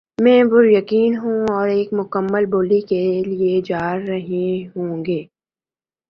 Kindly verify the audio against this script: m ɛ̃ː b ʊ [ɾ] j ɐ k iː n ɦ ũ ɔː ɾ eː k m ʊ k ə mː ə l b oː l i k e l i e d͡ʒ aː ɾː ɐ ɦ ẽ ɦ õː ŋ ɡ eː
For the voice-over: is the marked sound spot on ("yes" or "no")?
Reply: yes